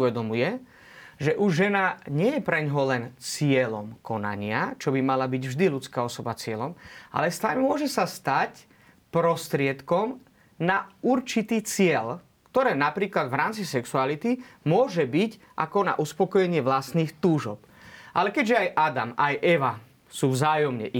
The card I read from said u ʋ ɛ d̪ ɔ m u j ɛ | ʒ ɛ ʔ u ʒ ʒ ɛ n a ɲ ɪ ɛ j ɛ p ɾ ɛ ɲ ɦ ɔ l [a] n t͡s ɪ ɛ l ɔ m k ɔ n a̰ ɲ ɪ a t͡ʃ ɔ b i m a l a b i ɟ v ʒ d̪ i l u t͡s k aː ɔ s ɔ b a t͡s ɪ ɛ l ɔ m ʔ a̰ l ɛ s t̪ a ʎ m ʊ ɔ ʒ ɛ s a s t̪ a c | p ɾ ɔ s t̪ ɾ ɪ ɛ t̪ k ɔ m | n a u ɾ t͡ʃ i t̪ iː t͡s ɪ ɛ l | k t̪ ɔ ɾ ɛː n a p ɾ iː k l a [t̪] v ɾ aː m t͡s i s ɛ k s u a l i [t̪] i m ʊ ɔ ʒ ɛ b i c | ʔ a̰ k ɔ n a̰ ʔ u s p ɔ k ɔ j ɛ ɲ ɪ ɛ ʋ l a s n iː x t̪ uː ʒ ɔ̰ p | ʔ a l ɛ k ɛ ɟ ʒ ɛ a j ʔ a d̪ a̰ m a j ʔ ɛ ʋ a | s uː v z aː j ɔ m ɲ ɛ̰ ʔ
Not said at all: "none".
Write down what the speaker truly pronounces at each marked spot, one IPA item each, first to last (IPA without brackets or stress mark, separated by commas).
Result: ɛ, d̪, t̪